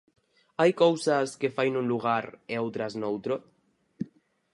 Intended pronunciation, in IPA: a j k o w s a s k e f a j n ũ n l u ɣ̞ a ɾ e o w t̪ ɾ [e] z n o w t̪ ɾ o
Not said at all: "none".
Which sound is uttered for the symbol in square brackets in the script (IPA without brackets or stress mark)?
a